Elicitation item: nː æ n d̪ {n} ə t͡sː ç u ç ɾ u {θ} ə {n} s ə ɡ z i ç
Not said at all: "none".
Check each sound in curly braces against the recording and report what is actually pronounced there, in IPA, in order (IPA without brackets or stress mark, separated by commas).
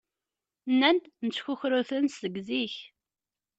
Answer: n, θ, n